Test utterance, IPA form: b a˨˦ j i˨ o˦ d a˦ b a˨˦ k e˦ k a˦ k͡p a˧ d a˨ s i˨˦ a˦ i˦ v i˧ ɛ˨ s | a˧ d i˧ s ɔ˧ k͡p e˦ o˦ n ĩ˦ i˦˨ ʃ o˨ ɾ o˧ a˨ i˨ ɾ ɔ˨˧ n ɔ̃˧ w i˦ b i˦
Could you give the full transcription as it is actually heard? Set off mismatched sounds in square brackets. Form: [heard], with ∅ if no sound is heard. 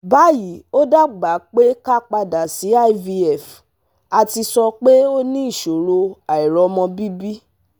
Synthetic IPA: b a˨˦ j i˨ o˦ d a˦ [ɡ͡b] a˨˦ [k͡p] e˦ k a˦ k͡p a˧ d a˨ s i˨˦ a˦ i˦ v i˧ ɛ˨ [f] | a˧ [t] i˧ s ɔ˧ k͡p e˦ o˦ n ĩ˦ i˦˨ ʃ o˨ ɾ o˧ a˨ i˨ ɾ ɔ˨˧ [m] ɔ̃˧ [b] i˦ b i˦